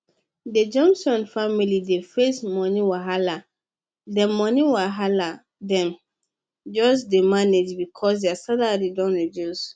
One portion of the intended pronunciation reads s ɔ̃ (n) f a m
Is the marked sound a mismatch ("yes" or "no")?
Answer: no